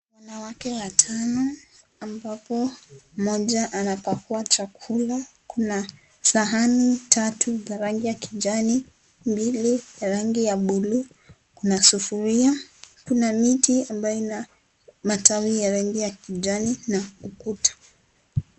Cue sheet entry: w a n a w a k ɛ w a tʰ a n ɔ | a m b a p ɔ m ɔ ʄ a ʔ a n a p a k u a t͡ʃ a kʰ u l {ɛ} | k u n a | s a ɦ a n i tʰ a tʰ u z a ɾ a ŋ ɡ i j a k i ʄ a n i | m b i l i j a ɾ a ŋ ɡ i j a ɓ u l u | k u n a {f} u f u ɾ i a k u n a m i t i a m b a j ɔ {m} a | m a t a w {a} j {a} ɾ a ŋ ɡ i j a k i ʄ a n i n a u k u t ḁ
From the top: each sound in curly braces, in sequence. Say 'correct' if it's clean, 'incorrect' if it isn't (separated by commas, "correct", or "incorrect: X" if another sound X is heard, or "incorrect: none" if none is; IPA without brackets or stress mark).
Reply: incorrect: a, incorrect: s, incorrect: n, incorrect: i, correct